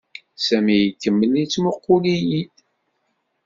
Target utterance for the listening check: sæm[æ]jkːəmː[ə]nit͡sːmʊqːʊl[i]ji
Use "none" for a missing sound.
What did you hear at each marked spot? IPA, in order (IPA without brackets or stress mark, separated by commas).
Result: i, ə, i